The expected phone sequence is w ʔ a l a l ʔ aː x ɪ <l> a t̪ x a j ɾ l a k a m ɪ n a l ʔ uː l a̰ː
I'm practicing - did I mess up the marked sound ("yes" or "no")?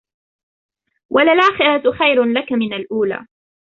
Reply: yes